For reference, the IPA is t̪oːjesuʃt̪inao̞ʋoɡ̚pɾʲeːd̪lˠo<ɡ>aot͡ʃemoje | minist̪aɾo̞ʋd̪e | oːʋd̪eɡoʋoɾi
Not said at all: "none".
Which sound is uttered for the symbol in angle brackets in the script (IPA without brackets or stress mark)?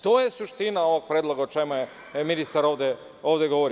ɡ